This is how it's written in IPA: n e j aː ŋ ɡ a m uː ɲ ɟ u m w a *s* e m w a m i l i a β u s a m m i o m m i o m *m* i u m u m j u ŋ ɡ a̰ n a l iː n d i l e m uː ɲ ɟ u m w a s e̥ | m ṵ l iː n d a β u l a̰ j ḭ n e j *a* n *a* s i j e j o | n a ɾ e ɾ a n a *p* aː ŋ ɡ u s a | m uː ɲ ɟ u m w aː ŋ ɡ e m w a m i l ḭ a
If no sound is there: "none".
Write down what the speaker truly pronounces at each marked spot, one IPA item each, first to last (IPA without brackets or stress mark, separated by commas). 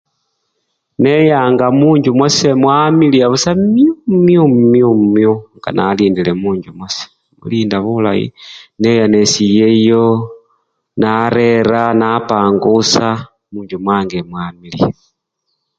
s, m, a, e, p